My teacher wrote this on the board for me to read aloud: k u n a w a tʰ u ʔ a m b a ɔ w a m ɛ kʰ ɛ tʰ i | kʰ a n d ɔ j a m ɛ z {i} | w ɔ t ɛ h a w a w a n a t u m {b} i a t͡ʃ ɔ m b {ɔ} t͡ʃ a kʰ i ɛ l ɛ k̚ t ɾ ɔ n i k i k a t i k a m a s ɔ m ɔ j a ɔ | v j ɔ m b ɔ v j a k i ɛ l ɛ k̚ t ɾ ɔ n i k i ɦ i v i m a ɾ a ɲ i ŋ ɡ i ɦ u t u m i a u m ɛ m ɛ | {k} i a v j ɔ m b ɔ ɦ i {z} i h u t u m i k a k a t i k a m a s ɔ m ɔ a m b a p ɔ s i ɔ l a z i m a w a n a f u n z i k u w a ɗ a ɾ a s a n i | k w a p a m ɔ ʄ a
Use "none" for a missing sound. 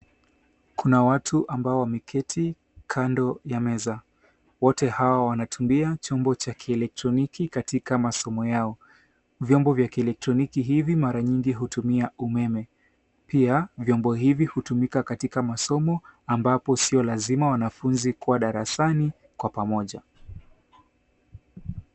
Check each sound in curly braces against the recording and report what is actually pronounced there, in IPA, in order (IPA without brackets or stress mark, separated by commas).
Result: a, b, ɔ, p, v